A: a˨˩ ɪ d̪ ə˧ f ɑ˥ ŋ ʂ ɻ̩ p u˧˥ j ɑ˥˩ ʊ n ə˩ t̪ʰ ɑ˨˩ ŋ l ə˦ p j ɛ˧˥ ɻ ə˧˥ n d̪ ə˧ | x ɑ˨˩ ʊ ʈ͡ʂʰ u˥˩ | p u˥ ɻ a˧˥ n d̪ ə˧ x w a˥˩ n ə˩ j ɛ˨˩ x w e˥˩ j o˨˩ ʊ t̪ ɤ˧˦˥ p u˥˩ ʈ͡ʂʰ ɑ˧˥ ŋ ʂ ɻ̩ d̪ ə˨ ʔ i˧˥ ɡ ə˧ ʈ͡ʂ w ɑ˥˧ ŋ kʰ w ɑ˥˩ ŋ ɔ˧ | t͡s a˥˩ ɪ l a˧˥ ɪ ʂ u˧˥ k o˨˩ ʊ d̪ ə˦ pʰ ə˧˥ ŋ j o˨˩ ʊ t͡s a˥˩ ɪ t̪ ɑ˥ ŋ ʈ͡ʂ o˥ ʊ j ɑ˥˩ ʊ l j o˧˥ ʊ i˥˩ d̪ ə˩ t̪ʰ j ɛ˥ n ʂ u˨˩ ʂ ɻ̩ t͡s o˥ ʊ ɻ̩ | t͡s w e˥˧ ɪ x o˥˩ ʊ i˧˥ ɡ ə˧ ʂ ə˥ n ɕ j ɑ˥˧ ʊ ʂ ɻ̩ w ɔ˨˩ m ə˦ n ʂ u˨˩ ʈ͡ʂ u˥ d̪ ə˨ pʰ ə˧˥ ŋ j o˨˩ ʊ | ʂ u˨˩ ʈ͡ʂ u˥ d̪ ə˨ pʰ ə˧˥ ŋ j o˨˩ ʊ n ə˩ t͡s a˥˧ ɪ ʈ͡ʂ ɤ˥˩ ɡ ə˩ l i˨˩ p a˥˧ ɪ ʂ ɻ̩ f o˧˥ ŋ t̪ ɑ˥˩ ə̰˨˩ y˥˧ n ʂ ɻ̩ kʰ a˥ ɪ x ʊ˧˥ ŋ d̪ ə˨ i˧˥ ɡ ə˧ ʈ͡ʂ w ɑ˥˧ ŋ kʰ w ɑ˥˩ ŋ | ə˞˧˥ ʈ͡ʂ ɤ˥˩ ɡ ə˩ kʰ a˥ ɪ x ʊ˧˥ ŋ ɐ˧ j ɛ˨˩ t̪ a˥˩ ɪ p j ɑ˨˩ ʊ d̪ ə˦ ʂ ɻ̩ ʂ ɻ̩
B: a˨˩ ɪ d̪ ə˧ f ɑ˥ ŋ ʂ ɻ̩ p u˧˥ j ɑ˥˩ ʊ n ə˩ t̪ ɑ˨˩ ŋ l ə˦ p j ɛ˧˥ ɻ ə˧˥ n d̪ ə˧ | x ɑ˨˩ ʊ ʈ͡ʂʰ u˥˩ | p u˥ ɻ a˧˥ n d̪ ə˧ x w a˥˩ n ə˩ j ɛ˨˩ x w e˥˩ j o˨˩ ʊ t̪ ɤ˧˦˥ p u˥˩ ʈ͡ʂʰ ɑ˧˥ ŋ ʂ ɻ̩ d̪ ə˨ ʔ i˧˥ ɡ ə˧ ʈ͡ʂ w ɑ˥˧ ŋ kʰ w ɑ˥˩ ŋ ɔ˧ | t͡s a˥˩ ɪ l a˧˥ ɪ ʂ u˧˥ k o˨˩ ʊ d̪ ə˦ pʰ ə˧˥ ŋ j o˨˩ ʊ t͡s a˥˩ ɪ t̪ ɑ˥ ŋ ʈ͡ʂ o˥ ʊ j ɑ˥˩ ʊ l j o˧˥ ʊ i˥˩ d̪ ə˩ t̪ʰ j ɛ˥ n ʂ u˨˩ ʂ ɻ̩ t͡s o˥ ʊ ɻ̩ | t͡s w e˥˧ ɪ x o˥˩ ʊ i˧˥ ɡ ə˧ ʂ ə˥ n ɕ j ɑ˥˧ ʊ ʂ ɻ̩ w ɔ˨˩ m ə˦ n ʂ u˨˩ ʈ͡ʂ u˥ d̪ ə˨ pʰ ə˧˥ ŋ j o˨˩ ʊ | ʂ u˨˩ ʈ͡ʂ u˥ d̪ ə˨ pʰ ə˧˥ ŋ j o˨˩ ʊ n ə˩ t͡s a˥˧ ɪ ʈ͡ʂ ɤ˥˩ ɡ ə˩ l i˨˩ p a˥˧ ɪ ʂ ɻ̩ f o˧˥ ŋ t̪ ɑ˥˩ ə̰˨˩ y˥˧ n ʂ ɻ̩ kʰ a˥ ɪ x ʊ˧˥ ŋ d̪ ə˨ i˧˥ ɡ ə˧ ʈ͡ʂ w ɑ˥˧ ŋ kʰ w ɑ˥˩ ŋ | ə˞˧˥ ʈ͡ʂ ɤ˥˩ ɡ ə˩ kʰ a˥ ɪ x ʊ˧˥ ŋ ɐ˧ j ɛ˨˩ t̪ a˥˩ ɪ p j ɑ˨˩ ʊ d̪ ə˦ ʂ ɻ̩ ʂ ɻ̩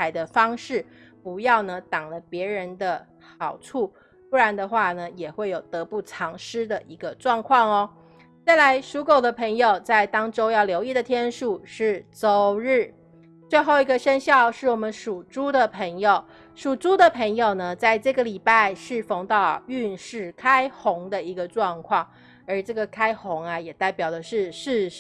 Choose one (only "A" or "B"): B